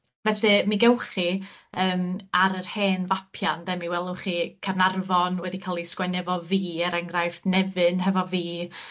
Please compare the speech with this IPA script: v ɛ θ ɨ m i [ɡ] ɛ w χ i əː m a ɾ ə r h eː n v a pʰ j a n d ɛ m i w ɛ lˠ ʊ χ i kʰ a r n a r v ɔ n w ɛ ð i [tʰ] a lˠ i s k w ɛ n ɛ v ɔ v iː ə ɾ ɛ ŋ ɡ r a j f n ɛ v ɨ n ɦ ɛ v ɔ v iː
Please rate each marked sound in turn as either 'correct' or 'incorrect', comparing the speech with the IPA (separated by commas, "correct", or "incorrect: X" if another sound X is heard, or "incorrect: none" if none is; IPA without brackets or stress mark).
correct, incorrect: kʰ